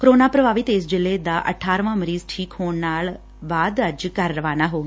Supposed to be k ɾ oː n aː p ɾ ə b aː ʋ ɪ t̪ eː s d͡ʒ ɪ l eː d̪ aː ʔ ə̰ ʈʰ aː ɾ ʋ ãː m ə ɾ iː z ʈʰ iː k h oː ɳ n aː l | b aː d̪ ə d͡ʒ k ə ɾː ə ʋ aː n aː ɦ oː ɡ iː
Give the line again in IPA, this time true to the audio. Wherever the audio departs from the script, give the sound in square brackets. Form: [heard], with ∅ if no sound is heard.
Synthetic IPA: k ɾ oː n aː p ɾ ə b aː ʋ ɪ t̪ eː s d͡ʒ ɪ l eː d̪ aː ʔ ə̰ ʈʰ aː ɾ ʋ ãː m ə ɾ iː z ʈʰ iː k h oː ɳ n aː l | b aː d̪ ə d͡ʒ k ə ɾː ə ʋ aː n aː ɦ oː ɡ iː